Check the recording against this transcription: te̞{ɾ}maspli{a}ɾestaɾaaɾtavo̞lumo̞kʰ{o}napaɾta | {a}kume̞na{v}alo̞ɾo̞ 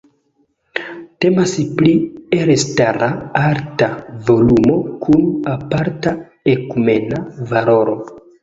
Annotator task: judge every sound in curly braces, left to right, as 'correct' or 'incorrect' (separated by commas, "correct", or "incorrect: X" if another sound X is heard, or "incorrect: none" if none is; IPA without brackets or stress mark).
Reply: incorrect: none, incorrect: e, incorrect: u, incorrect: e, correct